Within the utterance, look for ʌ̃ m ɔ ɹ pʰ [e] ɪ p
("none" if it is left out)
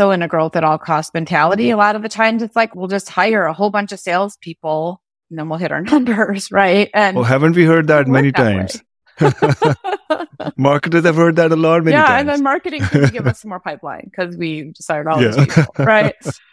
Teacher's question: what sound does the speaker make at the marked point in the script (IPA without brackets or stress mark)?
a